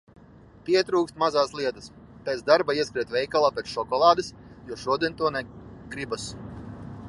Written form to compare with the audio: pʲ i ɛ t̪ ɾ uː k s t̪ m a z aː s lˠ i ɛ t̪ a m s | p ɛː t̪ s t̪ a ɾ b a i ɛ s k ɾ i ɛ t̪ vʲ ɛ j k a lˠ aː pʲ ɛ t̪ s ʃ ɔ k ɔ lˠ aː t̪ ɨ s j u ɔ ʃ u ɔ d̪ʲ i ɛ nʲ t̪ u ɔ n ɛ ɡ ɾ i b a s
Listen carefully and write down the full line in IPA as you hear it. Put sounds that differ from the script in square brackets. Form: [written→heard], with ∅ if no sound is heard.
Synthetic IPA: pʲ i ɛ t̪ ɾ uː k s t̪ m a z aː s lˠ i ɛ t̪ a [m→∅] s | p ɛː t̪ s [t̪→d̪] a ɾ b a i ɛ s k ɾ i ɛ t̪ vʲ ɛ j k a lˠ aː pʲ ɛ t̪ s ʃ ɔ k ɔ lˠ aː [t̪→d̪] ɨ s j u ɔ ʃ u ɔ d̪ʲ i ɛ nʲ t̪ u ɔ n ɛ ɡ ɾ i b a s